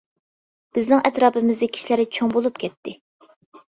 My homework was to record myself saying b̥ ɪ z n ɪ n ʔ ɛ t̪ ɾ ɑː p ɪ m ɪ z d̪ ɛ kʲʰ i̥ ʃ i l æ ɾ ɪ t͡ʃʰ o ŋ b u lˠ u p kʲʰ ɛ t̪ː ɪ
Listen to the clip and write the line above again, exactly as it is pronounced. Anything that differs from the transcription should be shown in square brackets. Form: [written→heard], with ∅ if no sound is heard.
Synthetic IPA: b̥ ɪ z n ɪ [n→ŋ] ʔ ɛ t̪ ɾ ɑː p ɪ m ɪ z d̪ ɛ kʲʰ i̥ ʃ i l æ ɾ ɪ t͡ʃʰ o ŋ b [u→o] lˠ u p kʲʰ ɛ t̪ː ɪ